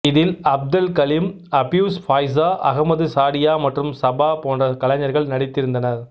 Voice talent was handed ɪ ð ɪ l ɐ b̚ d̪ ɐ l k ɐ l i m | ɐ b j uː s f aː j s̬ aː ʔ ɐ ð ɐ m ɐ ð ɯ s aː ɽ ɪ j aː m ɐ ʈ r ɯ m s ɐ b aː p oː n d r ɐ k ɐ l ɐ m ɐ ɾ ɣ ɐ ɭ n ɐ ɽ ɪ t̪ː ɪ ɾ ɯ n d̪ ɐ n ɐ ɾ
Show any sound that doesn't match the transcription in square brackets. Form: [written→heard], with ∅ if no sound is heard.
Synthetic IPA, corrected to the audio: ɪ ð ɪ l ɐ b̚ d̪ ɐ l k ɐ l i m | ɐ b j uː s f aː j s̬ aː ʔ ɐ [ð→ɣ] ɐ m ɐ ð ɯ s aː ɽ ɪ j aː m ɐ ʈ r ɯ m s ɐ b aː p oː n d r ɐ k ɐ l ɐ [m→ɲ] ɐ ɾ ɣ ɐ ɭ n ɐ ɽ ɪ t̪ː ɪ ɾ ɯ n d̪ ɐ n ɐ ɾ